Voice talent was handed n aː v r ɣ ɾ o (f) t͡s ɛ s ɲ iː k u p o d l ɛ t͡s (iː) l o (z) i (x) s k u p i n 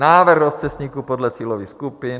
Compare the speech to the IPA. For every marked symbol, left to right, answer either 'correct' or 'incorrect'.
incorrect, correct, incorrect, correct

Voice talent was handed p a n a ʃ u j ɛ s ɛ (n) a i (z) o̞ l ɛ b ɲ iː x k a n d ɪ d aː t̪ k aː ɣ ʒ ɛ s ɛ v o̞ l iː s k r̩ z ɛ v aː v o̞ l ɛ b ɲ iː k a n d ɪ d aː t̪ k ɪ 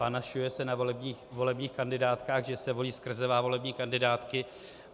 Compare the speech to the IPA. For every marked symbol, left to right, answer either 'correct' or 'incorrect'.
correct, incorrect

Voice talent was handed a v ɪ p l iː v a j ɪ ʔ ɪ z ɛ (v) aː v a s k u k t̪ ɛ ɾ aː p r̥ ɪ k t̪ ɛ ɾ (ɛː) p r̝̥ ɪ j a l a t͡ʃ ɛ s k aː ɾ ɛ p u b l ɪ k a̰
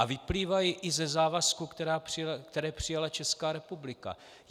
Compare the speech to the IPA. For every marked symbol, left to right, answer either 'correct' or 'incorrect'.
incorrect, correct

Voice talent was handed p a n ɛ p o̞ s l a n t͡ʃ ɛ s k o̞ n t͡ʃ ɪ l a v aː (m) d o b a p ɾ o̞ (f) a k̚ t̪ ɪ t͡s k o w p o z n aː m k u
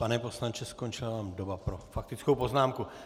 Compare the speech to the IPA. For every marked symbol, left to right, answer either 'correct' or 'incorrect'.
correct, correct

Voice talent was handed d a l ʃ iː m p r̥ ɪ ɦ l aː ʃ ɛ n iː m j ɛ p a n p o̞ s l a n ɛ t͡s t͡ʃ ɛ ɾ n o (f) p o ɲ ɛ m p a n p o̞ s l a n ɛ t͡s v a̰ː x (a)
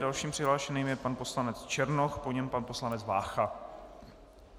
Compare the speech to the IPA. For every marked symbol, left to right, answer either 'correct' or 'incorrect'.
incorrect, correct

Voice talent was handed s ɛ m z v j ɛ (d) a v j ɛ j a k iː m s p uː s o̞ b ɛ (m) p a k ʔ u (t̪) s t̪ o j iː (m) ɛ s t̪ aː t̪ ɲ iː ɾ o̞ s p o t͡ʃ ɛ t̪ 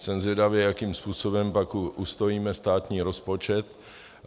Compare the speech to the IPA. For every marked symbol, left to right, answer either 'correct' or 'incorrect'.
correct, correct, incorrect, correct

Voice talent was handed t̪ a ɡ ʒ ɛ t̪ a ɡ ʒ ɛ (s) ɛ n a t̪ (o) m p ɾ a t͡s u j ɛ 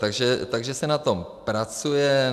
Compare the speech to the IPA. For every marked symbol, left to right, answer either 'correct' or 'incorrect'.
correct, correct

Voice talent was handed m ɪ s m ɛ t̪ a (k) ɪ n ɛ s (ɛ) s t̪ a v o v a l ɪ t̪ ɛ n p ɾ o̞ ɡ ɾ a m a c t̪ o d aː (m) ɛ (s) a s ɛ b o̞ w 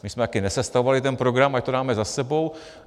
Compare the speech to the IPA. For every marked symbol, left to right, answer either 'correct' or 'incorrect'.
correct, correct, correct, incorrect

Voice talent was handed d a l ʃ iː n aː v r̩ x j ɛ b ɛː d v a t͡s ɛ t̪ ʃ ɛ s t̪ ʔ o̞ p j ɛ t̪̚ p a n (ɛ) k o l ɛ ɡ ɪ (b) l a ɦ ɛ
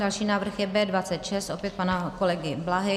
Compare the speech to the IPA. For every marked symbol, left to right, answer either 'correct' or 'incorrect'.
incorrect, correct

